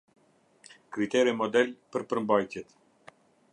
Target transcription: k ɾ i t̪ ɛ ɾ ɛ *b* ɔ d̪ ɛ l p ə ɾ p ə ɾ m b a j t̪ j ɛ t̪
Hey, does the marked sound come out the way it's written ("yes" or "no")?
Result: no